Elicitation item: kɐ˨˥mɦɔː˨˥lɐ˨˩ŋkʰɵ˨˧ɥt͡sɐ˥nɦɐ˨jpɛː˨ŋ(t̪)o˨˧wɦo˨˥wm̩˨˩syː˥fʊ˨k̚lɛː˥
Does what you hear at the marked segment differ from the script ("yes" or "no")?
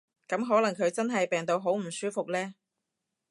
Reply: no